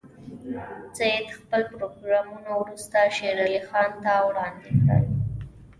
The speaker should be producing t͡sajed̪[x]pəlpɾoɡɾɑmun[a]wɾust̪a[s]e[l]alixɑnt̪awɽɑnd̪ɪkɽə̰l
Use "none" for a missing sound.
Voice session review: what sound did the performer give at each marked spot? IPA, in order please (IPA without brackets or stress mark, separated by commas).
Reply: x, a, ʃ, ɾ